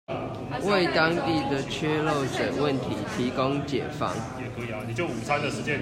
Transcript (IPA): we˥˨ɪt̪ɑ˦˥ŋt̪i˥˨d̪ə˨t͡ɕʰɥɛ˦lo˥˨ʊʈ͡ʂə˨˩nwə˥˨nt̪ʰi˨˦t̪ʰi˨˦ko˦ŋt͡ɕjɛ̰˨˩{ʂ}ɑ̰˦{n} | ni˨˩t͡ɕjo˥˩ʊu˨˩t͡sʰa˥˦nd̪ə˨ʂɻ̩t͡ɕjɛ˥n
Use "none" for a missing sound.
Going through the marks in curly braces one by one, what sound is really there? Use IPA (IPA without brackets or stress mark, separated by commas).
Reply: f, ŋ